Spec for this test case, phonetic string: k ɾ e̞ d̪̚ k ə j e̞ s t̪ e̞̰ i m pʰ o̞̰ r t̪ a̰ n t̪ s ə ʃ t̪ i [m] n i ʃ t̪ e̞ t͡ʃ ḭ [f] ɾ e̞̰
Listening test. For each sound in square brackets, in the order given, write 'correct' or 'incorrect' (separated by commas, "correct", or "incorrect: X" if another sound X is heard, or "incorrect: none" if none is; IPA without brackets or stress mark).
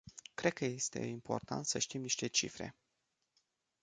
correct, correct